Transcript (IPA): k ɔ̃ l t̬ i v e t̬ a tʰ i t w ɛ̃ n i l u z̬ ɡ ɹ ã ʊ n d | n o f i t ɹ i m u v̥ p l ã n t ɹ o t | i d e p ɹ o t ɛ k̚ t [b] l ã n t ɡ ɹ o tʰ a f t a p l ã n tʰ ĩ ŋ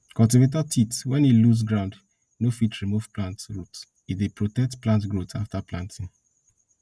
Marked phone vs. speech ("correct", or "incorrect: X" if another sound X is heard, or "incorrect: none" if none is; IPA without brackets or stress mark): incorrect: p